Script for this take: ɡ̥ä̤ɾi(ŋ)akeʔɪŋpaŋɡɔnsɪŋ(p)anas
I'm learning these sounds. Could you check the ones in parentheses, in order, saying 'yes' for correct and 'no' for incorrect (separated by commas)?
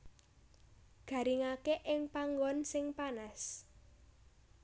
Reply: yes, yes